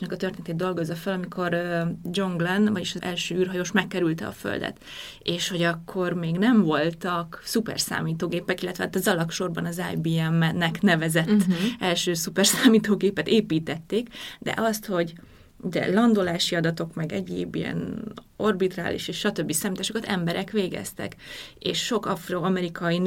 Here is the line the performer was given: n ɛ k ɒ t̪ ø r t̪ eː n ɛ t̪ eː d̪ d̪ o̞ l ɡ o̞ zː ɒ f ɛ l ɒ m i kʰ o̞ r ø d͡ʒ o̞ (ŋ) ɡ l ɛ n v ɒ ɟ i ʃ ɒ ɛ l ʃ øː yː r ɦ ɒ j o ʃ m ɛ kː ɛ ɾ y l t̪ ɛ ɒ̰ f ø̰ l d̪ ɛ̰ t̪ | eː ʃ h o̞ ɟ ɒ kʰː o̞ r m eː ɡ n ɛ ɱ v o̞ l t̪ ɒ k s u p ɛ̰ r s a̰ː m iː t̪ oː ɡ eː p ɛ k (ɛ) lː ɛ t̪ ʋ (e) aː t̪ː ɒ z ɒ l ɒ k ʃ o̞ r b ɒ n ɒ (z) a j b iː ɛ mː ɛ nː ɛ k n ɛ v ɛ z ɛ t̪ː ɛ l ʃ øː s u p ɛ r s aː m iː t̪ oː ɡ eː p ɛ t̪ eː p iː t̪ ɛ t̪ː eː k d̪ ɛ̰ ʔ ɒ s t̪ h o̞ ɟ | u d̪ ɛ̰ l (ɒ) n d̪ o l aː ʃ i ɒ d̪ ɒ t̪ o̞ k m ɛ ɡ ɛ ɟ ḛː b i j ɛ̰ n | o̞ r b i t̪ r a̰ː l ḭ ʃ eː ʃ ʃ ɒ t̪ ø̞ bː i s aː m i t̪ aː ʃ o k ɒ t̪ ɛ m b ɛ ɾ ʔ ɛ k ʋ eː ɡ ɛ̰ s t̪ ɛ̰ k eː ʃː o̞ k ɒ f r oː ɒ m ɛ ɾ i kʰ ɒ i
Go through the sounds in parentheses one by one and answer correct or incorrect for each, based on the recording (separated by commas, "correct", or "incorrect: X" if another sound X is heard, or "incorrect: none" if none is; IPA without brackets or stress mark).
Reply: correct, incorrect: i, incorrect: ɛ, correct, correct